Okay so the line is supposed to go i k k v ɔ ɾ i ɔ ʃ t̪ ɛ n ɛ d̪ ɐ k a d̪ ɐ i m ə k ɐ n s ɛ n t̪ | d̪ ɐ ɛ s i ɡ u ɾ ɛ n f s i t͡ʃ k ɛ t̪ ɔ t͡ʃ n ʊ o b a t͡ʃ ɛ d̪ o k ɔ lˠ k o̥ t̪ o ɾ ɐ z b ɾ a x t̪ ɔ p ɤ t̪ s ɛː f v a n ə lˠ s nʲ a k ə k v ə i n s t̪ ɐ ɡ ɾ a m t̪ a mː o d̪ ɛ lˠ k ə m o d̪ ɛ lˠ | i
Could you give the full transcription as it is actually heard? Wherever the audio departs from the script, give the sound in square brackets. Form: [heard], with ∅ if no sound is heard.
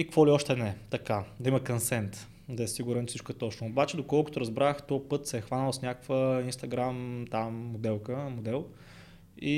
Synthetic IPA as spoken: i k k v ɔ [l] i ɔ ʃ t̪ ɛ n ɛ [t̪] ɐ k a d̪ ɐ i m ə k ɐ n s ɛ n t̪ | d̪ ɐ ɛ s i ɡ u ɾ ɛ n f s i t͡ʃ k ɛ t̪ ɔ t͡ʃ n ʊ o b a t͡ʃ ɛ d̪ o k ɔ lˠ k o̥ t̪ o ɾ ɐ z b ɾ a x t̪ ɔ p ɤ t̪ s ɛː [x] v a n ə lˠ s nʲ a k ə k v ə i n s t̪ ɐ ɡ ɾ a m t̪ a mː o d̪ ɛ lˠ k ə m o d̪ ɛ lˠ | i